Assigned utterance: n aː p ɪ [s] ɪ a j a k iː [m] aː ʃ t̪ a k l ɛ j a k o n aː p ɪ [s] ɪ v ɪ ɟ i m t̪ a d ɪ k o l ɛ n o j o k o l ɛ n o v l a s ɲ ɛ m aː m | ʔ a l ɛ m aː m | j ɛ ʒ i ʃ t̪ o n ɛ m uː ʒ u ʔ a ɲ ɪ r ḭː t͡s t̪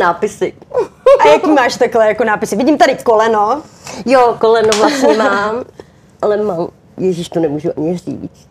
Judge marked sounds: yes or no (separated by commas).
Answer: yes, yes, yes